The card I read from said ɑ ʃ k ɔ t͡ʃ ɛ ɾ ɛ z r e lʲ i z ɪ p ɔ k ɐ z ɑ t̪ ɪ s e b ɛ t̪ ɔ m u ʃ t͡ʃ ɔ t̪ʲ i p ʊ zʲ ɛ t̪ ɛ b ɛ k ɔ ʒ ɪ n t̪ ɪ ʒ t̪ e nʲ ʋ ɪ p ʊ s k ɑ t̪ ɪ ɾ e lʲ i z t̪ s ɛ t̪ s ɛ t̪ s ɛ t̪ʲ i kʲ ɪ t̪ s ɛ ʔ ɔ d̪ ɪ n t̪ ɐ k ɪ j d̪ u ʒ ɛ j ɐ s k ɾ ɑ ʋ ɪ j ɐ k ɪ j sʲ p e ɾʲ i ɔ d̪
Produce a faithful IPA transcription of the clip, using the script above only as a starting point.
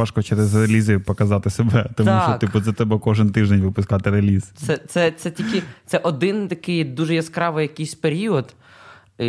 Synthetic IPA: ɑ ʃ k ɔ t͡ʃ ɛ ɾ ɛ z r e lʲ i z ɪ p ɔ k ɐ z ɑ t̪ ɪ s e b ɛ t̪ ɔ m u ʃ t͡ʃ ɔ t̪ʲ i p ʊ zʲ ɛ t̪ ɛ b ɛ k ɔ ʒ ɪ n t̪ ɪ ʒ d̪ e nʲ ʋ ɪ p ʊ s k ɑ t̪ ɪ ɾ e lʲ i z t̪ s ɛ t̪ s ɛ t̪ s ɛ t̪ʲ i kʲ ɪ t̪ s ɛ ʔ ɔ d̪ ɪ n t̪ ɐ k ɪ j d̪ u ʒ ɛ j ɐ s k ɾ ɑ ʋ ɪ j ɐ k ɪ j sʲ p e ɾʲ i ɔ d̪